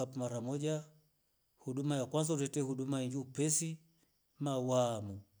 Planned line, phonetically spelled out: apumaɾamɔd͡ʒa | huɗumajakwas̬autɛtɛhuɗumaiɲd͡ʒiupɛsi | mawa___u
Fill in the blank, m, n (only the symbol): m